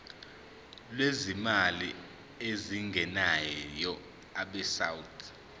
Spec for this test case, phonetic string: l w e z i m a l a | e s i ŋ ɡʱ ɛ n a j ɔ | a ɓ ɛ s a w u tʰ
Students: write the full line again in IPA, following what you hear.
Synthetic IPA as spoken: l w e z i m a l i | e z i ŋ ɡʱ ɛ n a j ɔ | a ɓ ɛ s a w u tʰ